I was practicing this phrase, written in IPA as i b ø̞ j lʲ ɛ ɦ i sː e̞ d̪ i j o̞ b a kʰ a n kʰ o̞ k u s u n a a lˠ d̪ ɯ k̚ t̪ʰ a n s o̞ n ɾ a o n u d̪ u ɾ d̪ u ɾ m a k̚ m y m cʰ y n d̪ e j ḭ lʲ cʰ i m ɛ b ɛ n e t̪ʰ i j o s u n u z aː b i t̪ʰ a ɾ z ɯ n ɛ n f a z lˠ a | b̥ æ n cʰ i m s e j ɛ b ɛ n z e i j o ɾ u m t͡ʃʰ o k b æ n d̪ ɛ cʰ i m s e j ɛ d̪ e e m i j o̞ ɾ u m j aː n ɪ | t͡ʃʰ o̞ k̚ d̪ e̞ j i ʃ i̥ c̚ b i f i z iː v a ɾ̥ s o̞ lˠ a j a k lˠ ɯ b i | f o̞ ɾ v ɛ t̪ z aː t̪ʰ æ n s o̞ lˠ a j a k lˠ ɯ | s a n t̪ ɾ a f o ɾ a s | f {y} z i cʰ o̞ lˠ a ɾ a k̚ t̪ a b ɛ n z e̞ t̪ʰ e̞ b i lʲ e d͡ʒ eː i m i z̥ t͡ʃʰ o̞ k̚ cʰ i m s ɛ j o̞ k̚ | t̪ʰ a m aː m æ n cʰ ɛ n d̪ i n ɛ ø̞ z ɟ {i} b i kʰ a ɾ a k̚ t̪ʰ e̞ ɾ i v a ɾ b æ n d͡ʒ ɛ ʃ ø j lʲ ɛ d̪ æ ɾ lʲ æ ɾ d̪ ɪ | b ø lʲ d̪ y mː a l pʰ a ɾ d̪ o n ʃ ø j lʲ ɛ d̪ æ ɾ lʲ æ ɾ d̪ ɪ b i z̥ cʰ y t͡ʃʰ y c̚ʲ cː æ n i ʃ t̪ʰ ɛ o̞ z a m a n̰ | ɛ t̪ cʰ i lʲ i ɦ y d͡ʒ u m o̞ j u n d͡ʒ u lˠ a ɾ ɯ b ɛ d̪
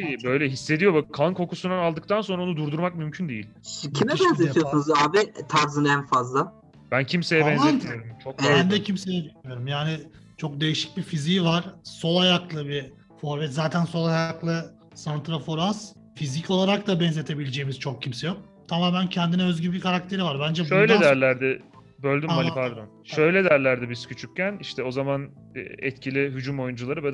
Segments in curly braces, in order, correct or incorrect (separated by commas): incorrect, incorrect